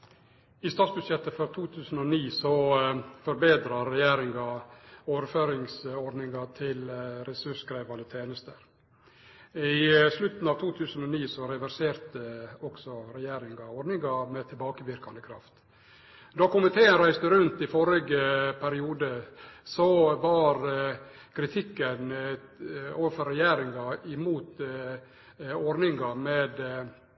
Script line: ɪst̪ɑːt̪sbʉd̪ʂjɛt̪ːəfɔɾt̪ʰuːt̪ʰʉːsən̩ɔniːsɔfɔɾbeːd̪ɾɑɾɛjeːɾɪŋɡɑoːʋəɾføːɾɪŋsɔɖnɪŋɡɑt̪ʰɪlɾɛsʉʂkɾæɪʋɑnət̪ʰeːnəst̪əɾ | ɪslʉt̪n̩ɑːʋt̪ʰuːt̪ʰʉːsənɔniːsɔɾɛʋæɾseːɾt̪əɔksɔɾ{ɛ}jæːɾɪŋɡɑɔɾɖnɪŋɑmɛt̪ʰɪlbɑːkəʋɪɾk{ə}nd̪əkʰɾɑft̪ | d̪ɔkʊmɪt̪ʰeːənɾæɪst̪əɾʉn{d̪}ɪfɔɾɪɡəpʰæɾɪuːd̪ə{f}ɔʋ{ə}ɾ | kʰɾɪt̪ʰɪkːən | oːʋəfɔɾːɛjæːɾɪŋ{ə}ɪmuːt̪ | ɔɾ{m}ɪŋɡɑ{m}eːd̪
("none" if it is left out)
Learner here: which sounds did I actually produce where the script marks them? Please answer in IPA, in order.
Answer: ɛ, ɑ, t̪, s, ɑ, ɑ, n, m

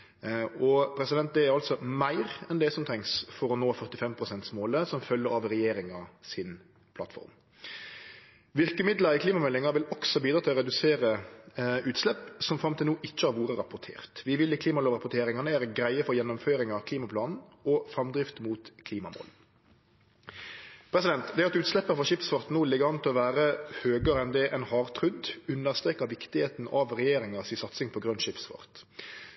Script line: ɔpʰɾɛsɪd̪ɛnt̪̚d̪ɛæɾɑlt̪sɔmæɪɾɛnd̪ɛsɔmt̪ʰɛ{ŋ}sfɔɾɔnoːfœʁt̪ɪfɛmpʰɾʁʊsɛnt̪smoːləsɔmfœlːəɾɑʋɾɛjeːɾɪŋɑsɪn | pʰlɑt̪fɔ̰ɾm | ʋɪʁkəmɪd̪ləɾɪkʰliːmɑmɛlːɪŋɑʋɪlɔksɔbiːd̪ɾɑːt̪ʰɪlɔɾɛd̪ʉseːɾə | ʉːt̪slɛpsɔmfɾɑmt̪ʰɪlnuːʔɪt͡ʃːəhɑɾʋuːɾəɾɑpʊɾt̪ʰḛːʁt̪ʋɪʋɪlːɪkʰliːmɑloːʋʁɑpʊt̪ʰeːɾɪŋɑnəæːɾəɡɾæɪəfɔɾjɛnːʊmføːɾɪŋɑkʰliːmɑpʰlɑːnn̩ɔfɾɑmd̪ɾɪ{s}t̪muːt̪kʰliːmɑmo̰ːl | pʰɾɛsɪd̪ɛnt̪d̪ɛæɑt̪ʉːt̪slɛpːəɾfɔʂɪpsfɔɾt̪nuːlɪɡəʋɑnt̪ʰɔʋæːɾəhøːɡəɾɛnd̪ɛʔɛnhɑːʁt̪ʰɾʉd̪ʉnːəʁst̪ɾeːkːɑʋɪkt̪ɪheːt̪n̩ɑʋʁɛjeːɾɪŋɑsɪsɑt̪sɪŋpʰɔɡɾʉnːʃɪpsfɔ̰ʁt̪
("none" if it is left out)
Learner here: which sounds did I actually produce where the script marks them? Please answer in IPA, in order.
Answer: ŋ, f

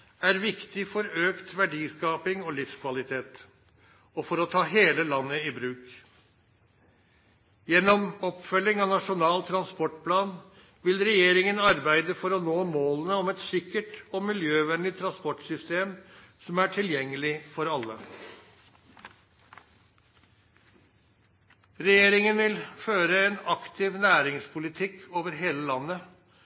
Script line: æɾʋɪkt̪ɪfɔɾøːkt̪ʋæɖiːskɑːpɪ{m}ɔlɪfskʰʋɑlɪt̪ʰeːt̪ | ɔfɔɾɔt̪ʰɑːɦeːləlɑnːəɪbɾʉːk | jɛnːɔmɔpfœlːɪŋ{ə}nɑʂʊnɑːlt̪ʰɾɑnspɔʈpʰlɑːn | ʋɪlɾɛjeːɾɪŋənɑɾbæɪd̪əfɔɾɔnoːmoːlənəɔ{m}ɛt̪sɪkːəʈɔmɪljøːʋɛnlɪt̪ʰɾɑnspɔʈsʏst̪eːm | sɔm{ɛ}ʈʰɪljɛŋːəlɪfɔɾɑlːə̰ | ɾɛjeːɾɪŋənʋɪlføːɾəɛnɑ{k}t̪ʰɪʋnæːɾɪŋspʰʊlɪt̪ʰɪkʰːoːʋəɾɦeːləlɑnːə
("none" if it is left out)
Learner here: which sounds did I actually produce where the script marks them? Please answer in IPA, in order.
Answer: ŋ, ɑ, m, æ, k

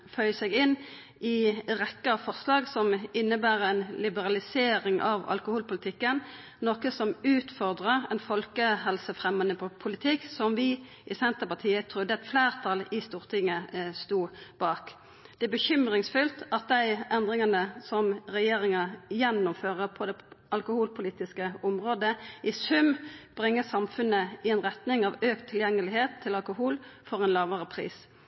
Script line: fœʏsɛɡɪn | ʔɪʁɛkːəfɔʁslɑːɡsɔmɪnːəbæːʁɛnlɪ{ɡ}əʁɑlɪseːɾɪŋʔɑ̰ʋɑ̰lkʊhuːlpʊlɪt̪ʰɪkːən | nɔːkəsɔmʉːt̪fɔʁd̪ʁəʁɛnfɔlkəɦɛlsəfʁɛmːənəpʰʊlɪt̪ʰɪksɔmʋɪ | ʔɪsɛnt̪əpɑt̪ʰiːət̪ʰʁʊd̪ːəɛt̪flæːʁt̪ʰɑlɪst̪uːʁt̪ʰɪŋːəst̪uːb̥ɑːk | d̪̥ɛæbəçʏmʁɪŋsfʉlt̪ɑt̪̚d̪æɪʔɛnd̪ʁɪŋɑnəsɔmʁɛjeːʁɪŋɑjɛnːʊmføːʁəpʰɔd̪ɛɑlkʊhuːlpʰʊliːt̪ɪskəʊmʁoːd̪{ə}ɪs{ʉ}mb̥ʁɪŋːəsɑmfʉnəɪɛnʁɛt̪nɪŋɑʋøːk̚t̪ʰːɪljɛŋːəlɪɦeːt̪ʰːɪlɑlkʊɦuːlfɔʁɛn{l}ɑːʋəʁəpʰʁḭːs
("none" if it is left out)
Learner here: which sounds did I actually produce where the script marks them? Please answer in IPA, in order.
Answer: b, ə, ʉ, l

